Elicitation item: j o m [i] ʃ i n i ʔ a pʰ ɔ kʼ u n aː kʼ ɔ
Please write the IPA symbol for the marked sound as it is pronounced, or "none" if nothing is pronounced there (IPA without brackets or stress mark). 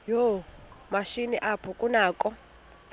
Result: a